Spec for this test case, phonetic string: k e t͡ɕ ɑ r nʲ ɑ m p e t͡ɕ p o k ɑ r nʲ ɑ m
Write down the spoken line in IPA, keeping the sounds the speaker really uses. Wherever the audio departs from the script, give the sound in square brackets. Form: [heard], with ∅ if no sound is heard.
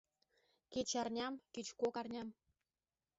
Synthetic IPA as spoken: k e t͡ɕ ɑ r nʲ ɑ m [k] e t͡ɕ [k] o k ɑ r nʲ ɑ m